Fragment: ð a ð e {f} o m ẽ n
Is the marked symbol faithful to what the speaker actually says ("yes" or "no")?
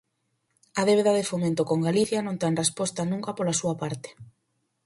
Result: yes